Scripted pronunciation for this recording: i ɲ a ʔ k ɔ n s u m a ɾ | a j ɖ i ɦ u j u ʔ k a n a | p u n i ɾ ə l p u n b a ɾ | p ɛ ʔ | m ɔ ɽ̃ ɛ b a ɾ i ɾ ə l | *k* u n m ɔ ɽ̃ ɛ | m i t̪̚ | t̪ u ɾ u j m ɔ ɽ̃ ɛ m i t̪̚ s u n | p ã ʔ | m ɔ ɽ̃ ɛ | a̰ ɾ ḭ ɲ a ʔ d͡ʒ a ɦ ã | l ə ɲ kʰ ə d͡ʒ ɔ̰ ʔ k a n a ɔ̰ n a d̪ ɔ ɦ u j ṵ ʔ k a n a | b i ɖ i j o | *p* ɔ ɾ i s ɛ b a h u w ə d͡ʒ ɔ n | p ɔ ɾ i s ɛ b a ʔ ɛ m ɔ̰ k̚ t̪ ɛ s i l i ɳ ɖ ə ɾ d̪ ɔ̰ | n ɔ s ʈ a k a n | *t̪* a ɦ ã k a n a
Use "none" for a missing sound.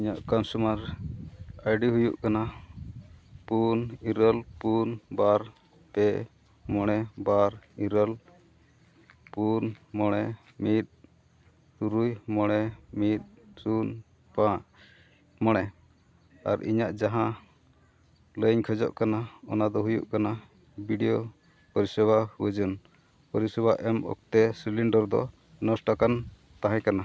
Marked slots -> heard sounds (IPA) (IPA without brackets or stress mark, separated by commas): p, p, t̪